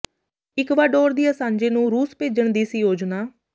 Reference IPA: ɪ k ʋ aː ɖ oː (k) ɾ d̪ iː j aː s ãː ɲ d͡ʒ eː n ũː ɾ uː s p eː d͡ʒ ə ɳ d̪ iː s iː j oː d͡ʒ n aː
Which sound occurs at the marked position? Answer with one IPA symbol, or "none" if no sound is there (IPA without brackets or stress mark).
none